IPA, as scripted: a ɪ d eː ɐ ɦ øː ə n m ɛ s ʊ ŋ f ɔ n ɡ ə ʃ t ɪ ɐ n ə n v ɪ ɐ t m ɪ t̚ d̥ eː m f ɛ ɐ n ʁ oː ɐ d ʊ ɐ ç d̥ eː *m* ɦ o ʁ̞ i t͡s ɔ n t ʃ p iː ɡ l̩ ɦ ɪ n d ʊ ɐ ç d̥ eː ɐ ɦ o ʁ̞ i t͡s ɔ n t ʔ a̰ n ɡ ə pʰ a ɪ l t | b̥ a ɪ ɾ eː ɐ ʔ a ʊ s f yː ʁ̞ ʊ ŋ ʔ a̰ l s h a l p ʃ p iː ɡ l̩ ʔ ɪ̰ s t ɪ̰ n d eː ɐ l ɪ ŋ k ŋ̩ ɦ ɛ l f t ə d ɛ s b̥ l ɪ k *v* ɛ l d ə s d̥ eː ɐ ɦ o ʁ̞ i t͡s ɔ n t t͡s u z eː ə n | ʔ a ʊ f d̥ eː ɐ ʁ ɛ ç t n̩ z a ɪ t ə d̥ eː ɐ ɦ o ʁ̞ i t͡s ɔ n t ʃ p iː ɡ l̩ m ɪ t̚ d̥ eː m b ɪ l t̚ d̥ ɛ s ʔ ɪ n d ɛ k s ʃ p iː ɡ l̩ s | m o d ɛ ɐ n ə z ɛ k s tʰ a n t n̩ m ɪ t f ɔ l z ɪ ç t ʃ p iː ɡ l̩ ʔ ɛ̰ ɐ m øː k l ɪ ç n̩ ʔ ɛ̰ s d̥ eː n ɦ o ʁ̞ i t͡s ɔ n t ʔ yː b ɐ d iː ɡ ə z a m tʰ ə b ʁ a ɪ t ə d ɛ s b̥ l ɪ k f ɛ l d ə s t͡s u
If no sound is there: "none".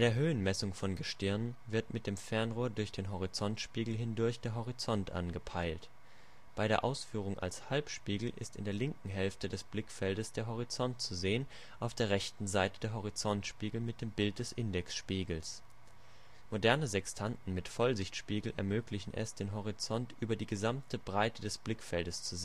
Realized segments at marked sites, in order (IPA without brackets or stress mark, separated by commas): n, f